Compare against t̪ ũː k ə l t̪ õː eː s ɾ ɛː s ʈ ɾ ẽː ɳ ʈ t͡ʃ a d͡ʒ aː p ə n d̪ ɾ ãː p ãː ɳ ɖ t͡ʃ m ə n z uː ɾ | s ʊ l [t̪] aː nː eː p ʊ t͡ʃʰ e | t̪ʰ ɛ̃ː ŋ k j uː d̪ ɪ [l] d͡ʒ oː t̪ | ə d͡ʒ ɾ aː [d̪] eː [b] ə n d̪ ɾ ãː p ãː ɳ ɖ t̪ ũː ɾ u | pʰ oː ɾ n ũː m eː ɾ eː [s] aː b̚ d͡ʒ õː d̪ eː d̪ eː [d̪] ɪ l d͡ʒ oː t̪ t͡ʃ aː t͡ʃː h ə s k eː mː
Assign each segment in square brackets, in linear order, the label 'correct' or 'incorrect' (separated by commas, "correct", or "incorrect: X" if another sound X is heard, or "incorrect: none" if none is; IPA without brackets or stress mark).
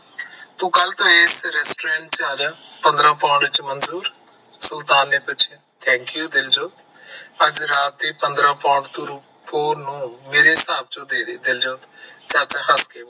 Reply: correct, correct, incorrect: t̪, incorrect: p, correct, correct